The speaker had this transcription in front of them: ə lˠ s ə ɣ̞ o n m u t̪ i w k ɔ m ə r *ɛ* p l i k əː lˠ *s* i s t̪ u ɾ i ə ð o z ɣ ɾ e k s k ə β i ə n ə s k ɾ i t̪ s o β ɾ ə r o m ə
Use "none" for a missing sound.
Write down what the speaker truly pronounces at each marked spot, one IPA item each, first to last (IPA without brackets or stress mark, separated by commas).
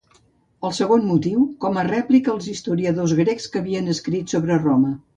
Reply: ɛ, z